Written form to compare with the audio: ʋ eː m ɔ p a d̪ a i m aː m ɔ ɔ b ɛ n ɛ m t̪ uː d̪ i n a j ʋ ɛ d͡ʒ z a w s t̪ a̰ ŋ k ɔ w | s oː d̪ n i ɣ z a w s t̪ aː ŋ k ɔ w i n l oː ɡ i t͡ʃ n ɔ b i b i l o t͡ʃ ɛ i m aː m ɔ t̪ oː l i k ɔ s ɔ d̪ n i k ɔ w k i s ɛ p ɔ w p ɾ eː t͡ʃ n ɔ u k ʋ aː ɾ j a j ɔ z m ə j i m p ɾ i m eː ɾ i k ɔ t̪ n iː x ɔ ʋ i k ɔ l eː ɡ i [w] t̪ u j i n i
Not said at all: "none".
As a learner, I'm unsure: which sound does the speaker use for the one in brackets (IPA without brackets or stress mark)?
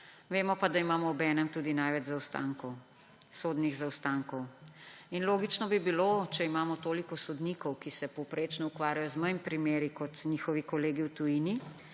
w